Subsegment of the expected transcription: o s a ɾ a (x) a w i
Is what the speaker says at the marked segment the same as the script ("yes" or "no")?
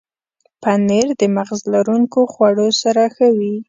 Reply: yes